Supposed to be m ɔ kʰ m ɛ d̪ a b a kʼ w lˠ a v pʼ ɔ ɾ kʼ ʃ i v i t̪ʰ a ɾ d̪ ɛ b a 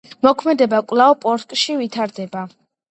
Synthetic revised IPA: m ɔ kʰ m ɛ d̪ ɛ b a kʼ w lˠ a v pʼ ɔ ɾ kʼ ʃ i v i t̪ʰ a ɾ d̪ ɛ b a